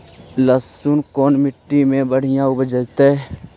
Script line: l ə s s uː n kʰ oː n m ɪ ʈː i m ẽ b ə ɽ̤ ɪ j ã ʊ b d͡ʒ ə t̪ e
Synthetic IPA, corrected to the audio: l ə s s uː n k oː n m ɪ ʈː i m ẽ b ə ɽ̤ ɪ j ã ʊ b d͡ʒ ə t̪ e